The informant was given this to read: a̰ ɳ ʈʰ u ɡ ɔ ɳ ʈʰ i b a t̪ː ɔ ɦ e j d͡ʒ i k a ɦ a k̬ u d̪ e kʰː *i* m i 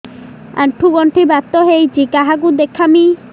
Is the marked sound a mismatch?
yes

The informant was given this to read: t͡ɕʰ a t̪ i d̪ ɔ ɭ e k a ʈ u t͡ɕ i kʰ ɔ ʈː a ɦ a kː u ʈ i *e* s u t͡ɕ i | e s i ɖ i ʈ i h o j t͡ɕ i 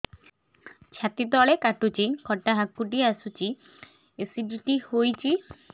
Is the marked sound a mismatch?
yes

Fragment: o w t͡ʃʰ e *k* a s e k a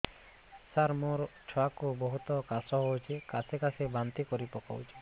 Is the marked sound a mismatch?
no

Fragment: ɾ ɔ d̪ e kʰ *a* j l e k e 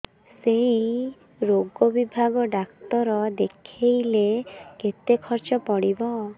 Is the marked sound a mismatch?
yes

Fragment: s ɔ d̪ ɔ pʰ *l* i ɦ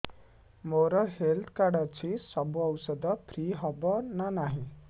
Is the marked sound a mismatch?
yes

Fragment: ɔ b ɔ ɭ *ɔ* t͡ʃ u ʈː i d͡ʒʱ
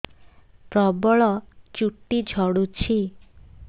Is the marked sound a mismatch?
no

